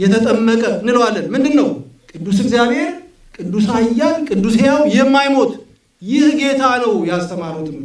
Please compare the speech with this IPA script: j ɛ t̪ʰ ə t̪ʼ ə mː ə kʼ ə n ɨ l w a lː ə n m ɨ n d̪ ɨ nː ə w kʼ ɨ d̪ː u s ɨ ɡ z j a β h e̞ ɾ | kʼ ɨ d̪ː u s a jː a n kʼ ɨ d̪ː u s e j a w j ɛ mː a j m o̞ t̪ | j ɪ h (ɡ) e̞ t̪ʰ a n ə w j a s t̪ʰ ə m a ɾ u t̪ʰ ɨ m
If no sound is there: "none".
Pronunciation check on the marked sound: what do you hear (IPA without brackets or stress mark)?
ɡ